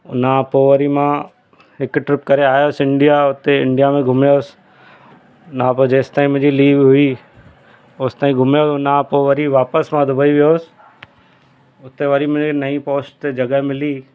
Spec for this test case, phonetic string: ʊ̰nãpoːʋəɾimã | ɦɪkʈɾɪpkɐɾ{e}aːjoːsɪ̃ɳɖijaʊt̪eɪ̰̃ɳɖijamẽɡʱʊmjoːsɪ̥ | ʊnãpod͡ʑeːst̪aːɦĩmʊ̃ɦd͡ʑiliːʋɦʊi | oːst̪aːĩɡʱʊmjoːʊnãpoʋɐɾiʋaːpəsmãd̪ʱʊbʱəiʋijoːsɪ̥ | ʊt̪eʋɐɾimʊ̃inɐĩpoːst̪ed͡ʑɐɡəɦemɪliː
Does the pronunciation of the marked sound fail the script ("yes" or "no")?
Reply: no